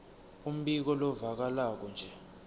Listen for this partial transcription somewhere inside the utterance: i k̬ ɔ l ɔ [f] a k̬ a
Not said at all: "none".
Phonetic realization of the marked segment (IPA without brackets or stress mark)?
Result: v